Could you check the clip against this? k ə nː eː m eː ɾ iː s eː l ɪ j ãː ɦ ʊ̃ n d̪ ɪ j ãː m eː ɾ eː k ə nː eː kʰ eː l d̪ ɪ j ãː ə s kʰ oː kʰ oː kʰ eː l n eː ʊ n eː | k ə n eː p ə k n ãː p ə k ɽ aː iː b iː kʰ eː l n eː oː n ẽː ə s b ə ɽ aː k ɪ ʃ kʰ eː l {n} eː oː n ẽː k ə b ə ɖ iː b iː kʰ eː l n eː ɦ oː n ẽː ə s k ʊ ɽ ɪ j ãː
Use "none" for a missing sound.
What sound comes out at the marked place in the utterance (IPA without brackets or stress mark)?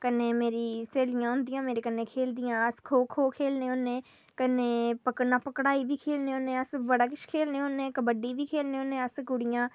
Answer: n